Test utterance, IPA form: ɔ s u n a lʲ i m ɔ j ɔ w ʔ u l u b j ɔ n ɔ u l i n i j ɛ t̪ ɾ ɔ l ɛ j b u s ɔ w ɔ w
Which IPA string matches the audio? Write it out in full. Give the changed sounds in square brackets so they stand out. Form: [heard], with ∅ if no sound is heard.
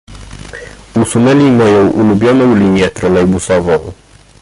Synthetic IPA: [u] s u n [ɛ] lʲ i m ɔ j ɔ w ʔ u l u b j ɔ n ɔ [w] l i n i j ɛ t̪ ɾ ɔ l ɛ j b u s ɔ [v] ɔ w